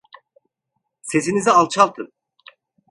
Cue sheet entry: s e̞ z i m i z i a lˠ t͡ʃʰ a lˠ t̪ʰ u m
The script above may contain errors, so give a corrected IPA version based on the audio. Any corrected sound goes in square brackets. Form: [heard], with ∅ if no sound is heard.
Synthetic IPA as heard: s e̞ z i [n] i z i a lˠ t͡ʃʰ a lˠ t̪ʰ [ɯ] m